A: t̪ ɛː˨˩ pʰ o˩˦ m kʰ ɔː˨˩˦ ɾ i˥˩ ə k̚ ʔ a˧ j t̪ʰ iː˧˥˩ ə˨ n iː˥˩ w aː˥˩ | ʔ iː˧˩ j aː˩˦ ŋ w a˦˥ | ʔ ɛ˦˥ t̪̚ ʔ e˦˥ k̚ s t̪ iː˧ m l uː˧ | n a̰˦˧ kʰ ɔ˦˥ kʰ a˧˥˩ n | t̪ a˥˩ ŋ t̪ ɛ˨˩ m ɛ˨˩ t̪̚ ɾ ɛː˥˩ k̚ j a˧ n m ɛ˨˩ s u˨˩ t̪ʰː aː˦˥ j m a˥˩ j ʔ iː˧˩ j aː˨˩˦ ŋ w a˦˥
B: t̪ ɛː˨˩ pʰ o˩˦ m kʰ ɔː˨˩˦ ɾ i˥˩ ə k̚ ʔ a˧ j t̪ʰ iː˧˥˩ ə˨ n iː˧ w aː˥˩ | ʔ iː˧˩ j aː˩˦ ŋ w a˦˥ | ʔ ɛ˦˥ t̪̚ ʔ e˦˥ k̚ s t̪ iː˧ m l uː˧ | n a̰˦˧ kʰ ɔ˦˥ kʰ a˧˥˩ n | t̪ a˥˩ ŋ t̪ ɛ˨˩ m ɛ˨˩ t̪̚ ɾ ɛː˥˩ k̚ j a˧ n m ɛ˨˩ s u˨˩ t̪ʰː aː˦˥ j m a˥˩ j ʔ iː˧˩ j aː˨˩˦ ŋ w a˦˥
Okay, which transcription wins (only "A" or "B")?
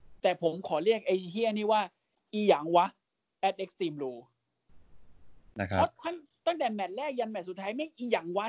A